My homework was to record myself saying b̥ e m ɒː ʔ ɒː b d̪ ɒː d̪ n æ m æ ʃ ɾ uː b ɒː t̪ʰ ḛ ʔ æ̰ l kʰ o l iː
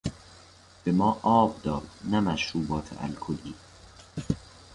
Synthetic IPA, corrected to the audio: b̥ e m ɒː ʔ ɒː b d̪ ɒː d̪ n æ m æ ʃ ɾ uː b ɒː t̪ʰ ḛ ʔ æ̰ l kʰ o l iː